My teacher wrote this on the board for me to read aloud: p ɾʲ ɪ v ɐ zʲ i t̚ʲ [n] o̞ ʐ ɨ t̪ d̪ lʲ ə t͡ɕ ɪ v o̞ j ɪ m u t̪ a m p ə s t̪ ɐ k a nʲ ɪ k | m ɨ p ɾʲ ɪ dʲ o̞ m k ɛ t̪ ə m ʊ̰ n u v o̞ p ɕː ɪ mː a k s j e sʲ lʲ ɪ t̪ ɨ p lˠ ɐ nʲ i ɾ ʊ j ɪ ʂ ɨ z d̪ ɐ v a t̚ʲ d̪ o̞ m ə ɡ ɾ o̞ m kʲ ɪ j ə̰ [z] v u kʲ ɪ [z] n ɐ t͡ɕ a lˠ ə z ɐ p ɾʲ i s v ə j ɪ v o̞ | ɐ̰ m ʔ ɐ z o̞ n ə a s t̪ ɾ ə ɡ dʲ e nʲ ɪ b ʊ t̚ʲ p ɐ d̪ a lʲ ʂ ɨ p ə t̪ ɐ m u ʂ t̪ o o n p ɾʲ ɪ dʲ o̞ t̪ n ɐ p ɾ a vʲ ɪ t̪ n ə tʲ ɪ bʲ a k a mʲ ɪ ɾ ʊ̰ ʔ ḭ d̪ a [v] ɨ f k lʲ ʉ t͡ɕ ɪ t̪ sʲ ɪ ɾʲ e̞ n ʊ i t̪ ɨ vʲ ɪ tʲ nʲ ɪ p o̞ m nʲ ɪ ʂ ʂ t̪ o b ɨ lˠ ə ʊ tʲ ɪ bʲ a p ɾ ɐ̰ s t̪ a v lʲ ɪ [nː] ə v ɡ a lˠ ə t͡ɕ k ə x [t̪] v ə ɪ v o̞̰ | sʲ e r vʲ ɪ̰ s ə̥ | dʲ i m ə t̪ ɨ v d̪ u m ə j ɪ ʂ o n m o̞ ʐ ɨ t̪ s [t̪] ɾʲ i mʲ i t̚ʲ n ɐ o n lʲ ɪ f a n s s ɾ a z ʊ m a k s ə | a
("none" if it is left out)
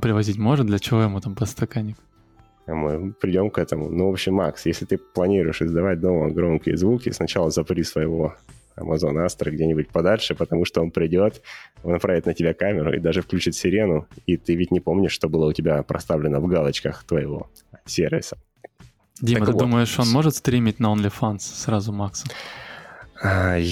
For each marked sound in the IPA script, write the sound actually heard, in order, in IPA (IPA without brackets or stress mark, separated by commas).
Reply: m, z, s, ʐ, n, t̪, t̪